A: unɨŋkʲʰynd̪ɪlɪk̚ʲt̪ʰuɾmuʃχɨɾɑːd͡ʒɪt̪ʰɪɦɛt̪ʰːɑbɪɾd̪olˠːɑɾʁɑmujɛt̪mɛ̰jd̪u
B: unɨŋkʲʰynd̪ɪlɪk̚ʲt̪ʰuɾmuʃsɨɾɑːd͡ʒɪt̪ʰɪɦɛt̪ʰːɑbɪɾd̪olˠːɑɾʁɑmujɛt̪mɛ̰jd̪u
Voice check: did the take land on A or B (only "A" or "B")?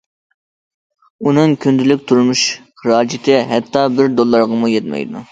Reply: A